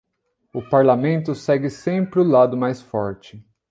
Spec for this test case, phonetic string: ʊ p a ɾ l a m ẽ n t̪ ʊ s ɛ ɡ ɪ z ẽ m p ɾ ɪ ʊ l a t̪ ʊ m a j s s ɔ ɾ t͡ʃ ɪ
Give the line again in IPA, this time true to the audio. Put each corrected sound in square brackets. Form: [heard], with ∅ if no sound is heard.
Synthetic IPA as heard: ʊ p a ɾ l a m ẽ n t̪ ʊ s ɛ ɡ ɪ [s] ẽ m p ɾ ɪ ʊ l a [d̪] ʊ m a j s [f] ɔ ɾ t͡ʃ ɪ